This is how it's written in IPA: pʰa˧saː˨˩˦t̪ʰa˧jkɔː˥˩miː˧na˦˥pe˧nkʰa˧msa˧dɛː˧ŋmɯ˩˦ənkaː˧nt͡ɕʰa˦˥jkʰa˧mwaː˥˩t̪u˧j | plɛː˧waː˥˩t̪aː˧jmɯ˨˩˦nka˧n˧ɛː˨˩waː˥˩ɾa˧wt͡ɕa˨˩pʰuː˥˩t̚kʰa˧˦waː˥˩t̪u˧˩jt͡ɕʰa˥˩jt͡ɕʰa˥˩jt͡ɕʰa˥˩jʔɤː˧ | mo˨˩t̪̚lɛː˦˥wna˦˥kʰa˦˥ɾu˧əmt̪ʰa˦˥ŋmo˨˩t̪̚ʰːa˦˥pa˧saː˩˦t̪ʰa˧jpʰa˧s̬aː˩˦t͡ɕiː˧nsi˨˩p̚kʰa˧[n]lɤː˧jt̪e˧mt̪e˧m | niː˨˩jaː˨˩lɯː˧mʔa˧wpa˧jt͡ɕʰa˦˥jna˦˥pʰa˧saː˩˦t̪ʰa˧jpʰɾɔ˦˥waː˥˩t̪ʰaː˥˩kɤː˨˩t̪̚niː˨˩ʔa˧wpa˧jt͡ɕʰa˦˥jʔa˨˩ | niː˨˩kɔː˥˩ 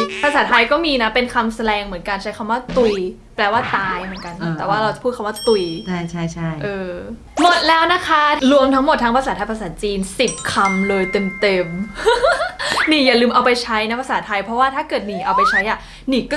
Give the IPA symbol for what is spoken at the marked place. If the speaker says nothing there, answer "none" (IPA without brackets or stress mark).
m